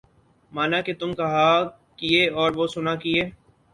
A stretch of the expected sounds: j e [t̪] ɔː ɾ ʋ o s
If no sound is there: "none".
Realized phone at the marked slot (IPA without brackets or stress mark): none